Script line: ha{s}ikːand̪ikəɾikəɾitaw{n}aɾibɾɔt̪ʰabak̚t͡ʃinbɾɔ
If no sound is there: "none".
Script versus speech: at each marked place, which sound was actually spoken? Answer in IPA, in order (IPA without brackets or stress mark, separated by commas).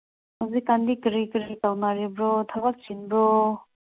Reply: z, n